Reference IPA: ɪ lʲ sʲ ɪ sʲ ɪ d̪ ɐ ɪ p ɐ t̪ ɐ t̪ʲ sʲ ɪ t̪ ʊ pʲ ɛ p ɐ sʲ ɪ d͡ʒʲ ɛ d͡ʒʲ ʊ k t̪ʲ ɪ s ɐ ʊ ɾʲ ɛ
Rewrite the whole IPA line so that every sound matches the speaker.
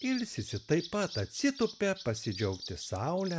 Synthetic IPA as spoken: ɪ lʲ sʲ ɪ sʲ ɪ t̪ ɐ ɪ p ɐ t̪ ɐ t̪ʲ sʲ ɪ t̪ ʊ pʲ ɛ p ɐ sʲ ɪ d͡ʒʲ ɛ ʊ k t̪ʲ ɪ s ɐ ʊ lʲ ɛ